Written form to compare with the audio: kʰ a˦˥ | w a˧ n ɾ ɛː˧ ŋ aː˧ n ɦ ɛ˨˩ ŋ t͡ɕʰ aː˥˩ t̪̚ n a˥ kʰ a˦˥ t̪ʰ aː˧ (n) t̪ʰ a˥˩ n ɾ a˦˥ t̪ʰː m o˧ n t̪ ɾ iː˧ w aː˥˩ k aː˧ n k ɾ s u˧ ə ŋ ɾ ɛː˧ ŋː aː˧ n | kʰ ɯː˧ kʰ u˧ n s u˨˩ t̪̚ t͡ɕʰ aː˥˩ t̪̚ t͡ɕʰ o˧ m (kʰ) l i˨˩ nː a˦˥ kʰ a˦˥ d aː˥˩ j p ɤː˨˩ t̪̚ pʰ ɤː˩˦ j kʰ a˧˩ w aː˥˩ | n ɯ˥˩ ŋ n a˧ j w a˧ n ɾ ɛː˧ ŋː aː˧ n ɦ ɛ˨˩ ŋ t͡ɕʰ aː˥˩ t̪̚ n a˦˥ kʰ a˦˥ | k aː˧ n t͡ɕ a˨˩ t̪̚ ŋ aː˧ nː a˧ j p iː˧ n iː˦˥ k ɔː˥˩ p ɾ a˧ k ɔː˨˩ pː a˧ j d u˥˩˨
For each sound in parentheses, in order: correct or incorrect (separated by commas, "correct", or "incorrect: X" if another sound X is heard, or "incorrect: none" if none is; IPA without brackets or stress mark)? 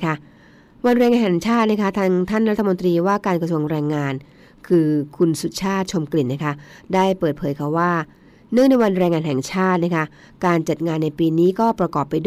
incorrect: ŋ, incorrect: k